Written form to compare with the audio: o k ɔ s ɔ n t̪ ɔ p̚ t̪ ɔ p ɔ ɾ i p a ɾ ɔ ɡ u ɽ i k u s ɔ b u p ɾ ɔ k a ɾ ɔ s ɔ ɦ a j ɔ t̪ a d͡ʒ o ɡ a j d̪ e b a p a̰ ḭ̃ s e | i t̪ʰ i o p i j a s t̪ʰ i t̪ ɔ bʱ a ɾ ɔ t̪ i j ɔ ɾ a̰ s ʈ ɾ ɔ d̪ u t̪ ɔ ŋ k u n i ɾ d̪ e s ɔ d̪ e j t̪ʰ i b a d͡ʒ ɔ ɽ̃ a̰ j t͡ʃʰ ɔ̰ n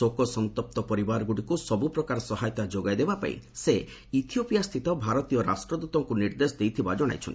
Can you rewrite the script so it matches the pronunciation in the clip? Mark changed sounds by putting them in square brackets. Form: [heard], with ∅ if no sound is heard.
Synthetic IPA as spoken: o k ɔ s ɔ n t̪ ɔ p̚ t̪ ɔ p ɔ ɾ i [b] a ɾ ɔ ɡ u ɽ i k u s ɔ b u p ɾ ɔ k a ɾ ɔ s ɔ ɦ a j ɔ t̪ a d͡ʒ o ɡ a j d̪ e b a p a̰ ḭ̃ s e | i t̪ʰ i o p i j a s t̪ʰ i t̪ ɔ bʱ a ɾ ɔ t̪ i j ɔ ɾ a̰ s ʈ ɾ ɔ d̪ u t̪ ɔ ŋ k u n i ɾ d̪ e s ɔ d̪ e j t̪ʰ i b a d͡ʒ ɔ ɽ̃ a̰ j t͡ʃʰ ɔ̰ n